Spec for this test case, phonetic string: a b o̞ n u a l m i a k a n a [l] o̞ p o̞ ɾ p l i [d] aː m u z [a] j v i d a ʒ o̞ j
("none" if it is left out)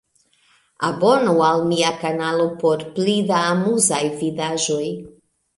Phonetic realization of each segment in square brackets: l, d, a

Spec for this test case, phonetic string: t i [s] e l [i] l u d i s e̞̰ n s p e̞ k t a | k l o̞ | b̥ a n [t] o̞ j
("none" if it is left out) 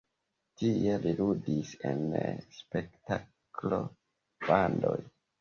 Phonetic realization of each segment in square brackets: none, i, d

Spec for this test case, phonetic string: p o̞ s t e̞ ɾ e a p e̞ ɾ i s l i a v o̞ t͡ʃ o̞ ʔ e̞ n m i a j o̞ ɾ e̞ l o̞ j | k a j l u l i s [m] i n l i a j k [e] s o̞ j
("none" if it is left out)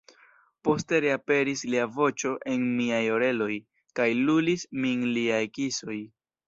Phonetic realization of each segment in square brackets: m, i

